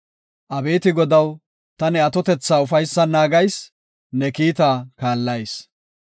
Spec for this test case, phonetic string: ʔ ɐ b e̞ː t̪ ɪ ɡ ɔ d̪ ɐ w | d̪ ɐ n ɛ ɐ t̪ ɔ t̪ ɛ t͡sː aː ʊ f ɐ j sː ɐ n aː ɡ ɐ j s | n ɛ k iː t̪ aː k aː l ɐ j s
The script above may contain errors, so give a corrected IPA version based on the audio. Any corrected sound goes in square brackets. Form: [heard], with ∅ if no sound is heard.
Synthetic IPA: ʔ ɐ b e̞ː t̪ ɪ ɡ ɔ d̪ ɐ w | [t̪] ɐ n ɛ ɐ t̪ ɔ t̪ ɛ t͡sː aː ʊ f ɐ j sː ɐ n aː ɡ ɐ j s | n ɛ k iː t̪ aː k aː [lː] ɐ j s

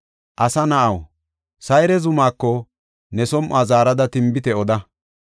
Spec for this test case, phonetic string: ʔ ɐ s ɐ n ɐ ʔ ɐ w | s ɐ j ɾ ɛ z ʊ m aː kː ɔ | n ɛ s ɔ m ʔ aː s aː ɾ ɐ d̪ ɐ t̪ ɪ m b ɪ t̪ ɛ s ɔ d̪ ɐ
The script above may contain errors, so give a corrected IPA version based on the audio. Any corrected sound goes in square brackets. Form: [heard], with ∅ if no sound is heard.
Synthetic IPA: ʔ ɐ s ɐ n ɐ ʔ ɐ w | s ɐ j ɾ ɛ z ʊ m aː kː ɔ | n ɛ s ɔ m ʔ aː [z] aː ɾ ɐ d̪ ɐ t̪ ɪ m b ɪ t̪ ɛ [∅] ɔ d̪ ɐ

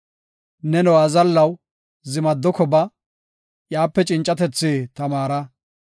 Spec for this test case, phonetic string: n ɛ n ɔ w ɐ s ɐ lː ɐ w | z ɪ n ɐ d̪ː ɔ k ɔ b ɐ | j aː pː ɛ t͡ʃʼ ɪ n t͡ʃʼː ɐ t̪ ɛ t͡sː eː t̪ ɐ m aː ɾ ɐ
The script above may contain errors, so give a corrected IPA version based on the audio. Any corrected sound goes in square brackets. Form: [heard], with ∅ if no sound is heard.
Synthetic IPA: n ɛ n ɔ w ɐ [z] ɐ lː ɐ w | z ɪ [m] ɐ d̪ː ɔ k ɔ b ɐ | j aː pː ɛ t͡ʃʼ ɪ n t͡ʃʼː ɐ t̪ ɛ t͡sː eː t̪ ɐ m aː ɾ ɐ

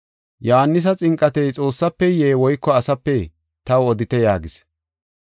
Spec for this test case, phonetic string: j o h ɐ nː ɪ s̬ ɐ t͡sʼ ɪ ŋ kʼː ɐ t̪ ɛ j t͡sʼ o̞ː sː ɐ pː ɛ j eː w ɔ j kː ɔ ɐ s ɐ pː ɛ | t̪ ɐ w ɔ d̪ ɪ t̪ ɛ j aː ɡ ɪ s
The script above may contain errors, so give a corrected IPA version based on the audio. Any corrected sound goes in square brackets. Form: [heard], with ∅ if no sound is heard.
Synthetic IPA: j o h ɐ nː ɪ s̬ ɐ t͡sʼ ɪ ŋ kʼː ɐ t̪ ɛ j t͡sʼ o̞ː sː ɐ pː ɛ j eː w ɔ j kː ɔ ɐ s ɐ pː ɛ | t̪ ɐ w ɔ d̪ ɪ t̪ ɛ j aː ɡ ɪ s

